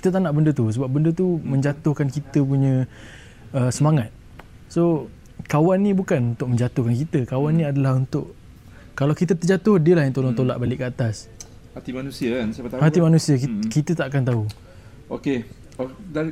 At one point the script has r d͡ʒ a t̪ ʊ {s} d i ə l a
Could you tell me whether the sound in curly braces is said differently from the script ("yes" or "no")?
yes